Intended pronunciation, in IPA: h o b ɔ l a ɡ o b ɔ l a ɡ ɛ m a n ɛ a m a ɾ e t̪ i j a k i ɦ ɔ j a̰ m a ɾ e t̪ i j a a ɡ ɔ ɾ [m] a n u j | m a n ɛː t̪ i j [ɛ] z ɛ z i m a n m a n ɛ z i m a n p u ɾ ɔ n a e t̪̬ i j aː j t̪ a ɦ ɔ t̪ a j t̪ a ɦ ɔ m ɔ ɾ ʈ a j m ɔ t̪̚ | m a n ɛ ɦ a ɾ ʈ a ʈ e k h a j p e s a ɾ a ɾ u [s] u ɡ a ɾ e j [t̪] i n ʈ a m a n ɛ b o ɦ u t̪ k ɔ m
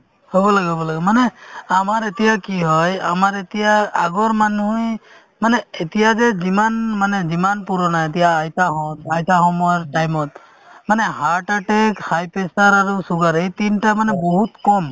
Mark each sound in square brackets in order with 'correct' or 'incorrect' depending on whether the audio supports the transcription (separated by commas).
correct, incorrect, correct, correct